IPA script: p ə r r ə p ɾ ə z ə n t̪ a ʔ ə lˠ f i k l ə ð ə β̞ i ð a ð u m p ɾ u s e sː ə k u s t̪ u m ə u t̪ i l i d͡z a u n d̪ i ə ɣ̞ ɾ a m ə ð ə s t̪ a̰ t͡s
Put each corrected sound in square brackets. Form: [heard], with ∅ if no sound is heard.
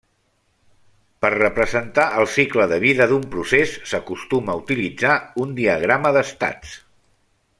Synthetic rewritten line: p ə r r ə p ɾ ə z ə n t̪ a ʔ ə lˠ [s] i k l ə ð ə β̞ i ð [ə] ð u m p ɾ u s e sː ə k u s t̪ u m ə u t̪ i l i d͡z a u n d̪ i ə ɣ̞ ɾ a m ə ð ə s t̪ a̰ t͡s